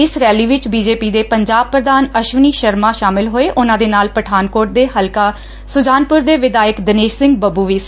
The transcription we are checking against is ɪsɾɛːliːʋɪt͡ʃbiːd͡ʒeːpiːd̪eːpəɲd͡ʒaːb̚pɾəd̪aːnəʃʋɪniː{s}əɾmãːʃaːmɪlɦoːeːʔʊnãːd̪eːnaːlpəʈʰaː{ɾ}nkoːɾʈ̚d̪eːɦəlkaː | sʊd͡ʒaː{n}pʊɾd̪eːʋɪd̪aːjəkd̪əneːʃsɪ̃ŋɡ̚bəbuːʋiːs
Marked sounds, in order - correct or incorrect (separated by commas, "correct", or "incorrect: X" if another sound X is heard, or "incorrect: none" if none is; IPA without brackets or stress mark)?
incorrect: ʃ, incorrect: none, correct